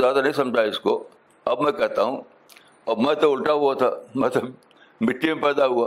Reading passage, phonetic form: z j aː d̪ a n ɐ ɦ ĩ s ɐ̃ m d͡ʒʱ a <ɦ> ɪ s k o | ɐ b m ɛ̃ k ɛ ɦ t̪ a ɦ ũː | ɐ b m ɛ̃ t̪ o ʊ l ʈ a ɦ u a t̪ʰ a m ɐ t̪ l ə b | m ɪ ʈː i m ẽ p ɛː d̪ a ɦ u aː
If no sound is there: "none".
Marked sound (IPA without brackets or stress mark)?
none